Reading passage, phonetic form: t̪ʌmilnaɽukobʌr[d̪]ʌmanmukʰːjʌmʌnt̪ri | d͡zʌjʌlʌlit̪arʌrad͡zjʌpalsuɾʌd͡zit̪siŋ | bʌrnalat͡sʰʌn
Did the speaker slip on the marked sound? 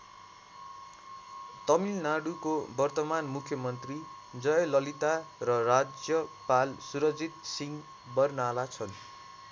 yes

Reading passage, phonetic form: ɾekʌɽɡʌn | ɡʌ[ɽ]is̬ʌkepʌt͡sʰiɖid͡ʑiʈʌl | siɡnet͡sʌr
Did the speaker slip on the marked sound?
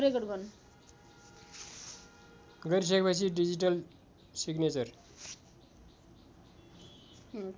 yes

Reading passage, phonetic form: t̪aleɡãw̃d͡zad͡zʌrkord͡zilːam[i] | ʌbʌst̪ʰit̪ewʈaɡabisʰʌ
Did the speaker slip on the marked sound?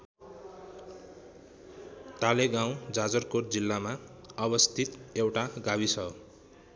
yes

